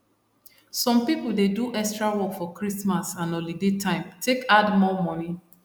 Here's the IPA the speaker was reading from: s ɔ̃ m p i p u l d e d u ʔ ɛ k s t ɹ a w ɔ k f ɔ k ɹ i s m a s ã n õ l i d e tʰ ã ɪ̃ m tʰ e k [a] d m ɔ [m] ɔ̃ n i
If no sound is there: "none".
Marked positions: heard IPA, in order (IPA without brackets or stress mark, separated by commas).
a, m